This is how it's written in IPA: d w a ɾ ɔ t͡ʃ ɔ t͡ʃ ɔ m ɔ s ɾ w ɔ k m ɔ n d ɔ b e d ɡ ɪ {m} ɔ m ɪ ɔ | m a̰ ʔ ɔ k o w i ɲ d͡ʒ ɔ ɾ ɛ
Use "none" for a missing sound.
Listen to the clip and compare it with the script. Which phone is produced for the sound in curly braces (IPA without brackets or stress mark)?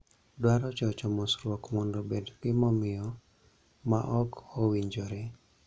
m